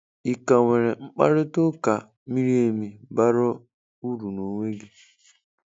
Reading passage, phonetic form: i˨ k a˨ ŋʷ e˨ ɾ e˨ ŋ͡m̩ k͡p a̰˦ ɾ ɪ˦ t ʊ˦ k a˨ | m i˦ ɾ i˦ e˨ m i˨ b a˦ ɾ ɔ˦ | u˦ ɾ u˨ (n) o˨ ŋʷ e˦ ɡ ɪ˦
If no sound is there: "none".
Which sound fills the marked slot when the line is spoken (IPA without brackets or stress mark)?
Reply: n